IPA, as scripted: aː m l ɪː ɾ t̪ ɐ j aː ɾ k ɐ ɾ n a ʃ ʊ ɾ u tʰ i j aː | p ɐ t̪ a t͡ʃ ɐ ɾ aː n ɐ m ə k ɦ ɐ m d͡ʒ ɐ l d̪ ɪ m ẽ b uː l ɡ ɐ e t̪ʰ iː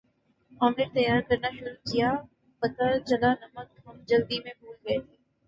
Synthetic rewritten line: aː m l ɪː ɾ t̪ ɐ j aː ɾ k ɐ ɾ n a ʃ ʊ ɾ u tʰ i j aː | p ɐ t̪ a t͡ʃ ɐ l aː n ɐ m ə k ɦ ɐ m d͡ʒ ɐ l d̪ i m ẽ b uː l ɡ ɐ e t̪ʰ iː